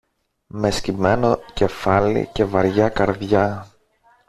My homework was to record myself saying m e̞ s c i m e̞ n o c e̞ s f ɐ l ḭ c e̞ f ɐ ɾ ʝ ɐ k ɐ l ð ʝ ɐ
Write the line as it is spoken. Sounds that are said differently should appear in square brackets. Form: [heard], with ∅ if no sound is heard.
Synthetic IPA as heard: m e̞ s c i m e̞ n o c e̞ [∅] f ɐ l ḭ c e̞ [v] ɐ ɾ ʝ ɐ k ɐ [ɾ] ð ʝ ɐ